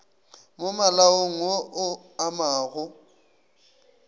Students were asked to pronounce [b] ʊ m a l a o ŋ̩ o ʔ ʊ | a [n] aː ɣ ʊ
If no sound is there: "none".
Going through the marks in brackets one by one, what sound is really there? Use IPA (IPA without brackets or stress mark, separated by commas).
m, m